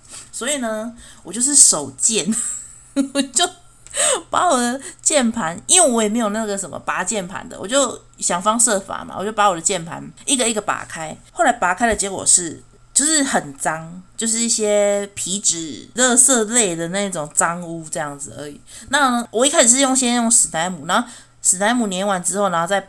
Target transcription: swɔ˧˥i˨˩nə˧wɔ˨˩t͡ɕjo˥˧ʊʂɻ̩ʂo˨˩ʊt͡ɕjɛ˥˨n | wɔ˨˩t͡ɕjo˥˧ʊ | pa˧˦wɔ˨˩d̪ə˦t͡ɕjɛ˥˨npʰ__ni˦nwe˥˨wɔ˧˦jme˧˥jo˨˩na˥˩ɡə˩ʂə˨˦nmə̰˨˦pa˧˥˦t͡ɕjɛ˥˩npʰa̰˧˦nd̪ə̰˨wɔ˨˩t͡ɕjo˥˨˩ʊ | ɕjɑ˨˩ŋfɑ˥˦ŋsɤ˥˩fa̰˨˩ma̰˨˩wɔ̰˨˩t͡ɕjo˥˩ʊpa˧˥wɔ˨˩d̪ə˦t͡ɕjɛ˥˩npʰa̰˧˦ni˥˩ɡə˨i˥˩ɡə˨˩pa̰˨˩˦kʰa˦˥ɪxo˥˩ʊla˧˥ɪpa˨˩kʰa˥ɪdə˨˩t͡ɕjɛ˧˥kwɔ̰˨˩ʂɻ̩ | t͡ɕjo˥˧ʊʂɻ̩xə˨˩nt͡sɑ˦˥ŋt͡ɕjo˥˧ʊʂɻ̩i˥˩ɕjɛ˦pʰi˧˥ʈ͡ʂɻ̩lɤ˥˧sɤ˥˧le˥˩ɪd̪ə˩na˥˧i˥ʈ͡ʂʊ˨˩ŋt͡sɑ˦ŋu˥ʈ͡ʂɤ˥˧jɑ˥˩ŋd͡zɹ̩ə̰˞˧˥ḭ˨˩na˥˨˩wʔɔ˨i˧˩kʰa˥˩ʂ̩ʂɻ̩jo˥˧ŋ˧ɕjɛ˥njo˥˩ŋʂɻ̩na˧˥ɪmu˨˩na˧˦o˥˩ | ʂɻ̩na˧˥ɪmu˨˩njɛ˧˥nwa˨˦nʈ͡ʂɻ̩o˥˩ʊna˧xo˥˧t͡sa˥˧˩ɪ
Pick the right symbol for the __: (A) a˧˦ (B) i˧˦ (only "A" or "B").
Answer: A